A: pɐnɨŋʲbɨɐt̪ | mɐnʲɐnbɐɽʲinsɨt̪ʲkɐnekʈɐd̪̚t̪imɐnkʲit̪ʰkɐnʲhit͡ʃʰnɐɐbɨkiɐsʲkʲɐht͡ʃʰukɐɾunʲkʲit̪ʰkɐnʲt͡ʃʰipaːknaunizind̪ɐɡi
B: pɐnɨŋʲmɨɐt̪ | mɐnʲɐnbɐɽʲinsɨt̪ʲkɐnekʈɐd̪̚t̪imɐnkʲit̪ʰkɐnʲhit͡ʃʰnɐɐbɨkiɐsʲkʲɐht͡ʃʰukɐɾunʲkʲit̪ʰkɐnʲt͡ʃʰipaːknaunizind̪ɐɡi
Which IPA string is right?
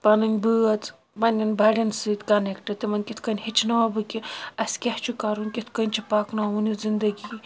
A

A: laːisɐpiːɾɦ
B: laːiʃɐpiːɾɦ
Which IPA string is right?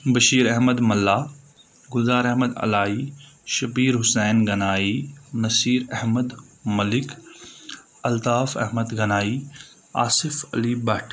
B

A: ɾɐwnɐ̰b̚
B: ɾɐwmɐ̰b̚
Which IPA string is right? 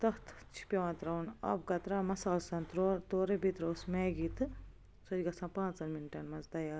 A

